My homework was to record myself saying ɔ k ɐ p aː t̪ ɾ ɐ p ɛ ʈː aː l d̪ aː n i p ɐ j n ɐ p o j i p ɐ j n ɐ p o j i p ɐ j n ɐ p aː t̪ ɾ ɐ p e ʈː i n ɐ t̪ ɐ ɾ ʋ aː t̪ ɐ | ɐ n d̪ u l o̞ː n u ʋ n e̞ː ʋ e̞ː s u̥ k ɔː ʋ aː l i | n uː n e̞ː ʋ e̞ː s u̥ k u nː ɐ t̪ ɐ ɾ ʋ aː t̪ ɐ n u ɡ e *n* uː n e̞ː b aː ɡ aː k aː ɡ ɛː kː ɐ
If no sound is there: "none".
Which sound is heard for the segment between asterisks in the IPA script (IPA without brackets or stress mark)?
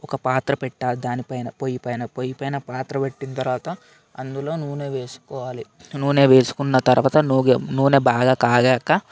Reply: n